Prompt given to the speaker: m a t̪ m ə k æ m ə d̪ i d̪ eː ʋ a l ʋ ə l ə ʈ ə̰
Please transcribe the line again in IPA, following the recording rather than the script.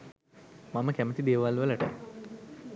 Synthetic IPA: m a m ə k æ m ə t̪ i d̪ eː ʋ a l ʋ ə l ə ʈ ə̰